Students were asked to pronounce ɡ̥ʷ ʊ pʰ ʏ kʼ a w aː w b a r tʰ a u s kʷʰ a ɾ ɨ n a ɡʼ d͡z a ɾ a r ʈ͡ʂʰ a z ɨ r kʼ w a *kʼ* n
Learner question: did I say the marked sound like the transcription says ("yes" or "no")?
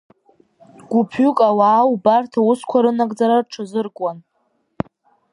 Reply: no